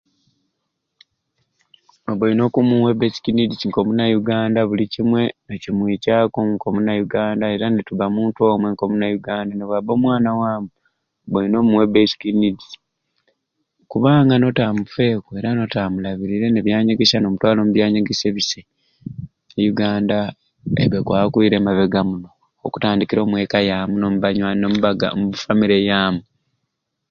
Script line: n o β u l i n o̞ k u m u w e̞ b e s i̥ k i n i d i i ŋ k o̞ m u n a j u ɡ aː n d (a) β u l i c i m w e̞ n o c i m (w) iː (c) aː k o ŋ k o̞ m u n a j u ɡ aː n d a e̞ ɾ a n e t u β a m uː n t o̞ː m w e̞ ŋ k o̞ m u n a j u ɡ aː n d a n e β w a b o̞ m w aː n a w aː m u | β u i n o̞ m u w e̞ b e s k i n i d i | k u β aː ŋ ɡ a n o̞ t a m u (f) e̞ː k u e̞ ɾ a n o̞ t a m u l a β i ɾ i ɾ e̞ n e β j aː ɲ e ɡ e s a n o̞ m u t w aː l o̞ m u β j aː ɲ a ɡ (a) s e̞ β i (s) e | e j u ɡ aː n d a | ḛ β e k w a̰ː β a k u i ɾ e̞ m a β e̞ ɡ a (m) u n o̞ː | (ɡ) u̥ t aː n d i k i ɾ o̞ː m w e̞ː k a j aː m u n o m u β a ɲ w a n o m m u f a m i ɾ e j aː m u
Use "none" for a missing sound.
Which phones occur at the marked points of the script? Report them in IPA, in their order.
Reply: a, w, c, f, e, s, m, k

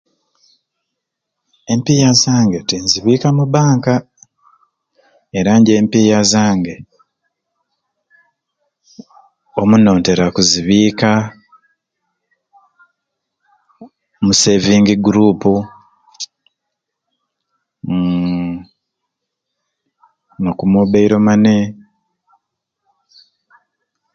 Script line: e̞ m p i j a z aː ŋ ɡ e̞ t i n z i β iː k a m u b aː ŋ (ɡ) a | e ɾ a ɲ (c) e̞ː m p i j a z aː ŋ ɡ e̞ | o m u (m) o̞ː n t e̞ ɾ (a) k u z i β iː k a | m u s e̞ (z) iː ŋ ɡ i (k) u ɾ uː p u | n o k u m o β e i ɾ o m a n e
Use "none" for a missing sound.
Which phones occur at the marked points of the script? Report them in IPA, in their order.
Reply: k, ɟ, n, a, v, ɡ

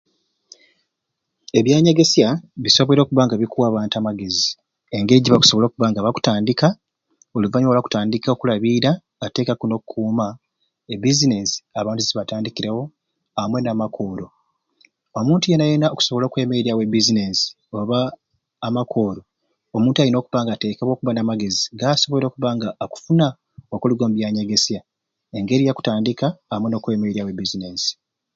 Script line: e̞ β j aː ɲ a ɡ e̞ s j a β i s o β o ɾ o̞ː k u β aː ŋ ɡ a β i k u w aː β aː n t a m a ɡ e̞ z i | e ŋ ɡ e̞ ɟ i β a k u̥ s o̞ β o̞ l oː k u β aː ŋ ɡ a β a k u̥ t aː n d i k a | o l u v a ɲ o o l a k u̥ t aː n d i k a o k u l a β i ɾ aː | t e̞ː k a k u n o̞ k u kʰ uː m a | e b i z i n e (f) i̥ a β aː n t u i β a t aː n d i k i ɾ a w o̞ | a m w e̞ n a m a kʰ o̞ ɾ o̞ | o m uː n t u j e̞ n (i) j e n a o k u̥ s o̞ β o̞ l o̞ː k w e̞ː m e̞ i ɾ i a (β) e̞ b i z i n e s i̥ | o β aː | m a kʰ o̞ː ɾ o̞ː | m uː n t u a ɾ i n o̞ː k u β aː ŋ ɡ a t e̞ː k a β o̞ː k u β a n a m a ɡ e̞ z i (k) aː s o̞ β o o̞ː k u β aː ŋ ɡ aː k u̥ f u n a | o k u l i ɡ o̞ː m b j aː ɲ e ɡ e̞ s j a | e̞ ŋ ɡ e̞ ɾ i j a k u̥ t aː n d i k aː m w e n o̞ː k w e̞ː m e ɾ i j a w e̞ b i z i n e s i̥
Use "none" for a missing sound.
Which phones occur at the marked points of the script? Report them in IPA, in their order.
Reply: s, a, w, ɡ

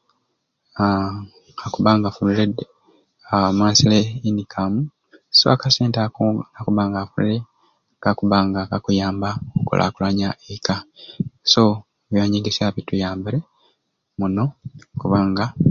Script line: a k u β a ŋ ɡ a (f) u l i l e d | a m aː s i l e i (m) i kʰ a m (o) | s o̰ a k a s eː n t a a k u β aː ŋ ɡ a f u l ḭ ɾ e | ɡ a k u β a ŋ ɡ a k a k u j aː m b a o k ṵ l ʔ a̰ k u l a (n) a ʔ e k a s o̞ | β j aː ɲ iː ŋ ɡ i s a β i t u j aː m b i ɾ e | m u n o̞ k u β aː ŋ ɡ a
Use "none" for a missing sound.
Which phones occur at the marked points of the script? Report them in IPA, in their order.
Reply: f, n, u, ɲ

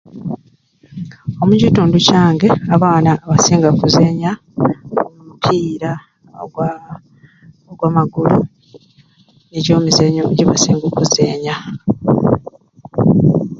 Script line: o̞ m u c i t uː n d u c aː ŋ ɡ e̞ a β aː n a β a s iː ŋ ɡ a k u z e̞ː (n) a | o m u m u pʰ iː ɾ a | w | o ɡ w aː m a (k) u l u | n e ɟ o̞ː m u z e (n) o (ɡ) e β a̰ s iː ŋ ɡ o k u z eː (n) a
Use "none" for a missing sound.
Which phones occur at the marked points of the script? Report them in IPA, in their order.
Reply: ɲ, ɡ, ɲ, ɟ, ɲ

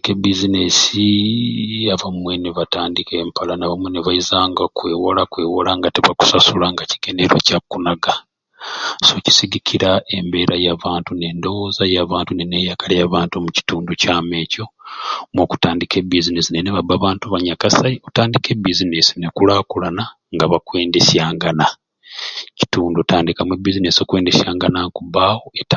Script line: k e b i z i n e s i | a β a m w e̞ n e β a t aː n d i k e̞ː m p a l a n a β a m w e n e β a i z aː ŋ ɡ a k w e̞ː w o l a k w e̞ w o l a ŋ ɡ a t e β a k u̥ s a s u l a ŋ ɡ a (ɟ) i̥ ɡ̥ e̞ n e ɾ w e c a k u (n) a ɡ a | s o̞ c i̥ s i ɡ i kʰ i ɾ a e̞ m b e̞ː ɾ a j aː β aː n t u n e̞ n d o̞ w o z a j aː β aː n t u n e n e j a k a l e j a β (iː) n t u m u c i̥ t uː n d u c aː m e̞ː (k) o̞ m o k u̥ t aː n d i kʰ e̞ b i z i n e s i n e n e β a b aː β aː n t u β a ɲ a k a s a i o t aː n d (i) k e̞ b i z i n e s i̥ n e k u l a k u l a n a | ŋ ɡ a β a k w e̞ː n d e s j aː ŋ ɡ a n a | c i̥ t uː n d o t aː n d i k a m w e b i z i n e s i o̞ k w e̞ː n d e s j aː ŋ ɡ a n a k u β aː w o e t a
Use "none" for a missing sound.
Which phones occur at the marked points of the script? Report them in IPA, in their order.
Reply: c, n, aː, c, i

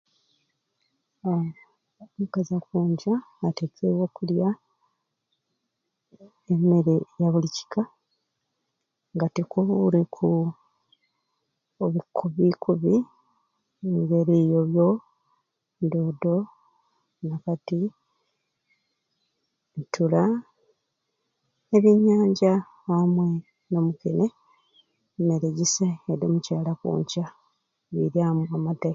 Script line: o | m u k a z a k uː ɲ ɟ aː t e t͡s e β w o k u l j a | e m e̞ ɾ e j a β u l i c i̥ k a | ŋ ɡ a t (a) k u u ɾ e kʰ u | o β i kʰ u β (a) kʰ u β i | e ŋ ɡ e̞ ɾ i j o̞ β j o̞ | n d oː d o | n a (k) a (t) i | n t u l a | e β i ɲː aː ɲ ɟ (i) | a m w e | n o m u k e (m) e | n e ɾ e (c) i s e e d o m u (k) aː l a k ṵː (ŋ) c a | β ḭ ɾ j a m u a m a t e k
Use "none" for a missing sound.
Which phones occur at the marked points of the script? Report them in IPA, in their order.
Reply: e, i, k, t, a, n, ɟ, c, ɲ

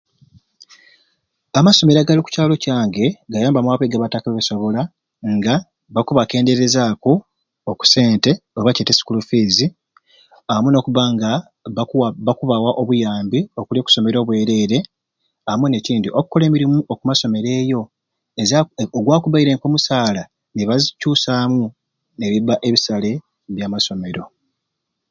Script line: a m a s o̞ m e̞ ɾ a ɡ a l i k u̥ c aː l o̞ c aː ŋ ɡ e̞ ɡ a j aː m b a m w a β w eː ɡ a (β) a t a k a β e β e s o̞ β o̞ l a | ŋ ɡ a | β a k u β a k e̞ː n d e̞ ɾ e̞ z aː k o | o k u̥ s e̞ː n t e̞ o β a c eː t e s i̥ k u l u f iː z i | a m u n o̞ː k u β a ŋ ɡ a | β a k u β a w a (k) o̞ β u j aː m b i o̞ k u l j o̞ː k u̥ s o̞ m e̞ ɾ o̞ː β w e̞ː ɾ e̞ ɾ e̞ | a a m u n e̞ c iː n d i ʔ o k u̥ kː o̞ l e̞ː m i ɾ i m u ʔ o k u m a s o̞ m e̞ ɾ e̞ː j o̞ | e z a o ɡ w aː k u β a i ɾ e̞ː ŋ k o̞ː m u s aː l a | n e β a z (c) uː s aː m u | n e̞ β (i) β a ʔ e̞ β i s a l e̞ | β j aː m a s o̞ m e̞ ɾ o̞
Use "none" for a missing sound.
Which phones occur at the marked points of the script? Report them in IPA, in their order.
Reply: β, ʔ, c, i

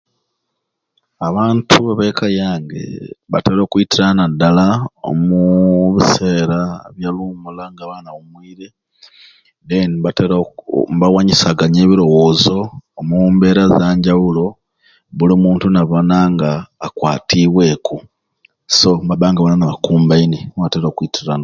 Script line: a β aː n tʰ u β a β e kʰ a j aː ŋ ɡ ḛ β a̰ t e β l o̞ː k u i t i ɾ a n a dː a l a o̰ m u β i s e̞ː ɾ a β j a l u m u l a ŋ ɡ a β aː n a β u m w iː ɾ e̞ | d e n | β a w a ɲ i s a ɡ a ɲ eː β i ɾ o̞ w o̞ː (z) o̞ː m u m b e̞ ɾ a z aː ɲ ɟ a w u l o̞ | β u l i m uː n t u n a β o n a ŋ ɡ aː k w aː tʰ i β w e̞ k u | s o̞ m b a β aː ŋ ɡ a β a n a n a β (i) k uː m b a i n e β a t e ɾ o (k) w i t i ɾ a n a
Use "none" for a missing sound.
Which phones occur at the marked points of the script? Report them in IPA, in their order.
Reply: z, a, k

